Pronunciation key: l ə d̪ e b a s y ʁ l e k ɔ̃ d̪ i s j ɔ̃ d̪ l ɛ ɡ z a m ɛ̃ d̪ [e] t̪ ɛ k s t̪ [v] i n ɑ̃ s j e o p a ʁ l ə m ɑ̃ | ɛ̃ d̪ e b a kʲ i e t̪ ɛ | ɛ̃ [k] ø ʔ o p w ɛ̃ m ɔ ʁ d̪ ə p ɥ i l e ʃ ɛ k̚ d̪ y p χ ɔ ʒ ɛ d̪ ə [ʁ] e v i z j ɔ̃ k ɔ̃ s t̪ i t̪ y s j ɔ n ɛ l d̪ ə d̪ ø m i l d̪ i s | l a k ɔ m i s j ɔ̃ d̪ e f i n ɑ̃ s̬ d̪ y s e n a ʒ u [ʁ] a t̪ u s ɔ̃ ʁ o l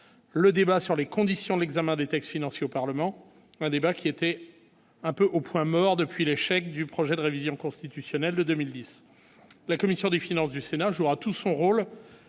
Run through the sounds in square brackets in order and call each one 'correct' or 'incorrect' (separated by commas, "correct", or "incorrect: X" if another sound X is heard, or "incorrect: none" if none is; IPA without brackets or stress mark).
correct, incorrect: f, incorrect: p, correct, correct